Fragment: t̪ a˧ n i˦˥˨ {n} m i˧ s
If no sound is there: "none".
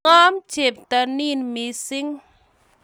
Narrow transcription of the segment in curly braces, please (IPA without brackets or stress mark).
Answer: n